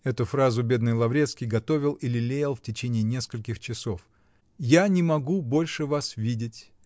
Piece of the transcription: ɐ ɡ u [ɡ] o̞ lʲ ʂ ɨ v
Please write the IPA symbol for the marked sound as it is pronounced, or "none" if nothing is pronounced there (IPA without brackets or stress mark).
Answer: b